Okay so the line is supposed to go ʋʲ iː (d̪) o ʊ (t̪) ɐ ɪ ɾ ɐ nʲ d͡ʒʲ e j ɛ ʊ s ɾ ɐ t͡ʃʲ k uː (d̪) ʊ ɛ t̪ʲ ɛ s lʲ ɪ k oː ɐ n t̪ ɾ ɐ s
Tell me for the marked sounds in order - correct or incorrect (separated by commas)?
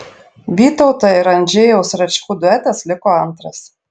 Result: incorrect, correct, correct